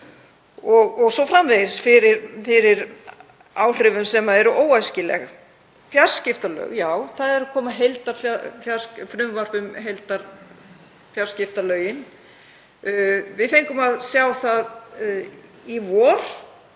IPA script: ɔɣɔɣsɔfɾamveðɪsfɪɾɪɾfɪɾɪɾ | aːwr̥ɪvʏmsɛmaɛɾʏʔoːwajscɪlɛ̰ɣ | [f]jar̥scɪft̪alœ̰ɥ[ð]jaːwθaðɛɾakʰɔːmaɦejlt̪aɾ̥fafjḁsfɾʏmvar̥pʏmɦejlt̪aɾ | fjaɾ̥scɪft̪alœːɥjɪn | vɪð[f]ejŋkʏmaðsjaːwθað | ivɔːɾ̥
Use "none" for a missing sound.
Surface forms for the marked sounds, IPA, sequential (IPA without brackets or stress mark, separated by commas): f, ɣ, θ